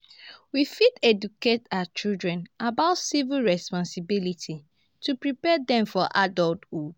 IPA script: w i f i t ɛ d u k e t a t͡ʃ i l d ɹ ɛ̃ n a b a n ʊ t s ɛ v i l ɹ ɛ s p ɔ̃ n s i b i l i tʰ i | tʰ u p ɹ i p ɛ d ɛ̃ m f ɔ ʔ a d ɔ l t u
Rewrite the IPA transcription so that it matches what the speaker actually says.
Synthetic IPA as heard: w i f i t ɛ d u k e t a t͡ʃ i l d ɹ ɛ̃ n a b a ʊ t s i v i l ɹ ɛ s p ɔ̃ n s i b i l i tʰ i | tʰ u p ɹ i p ɛ d ɛ̃ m f ɔ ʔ a d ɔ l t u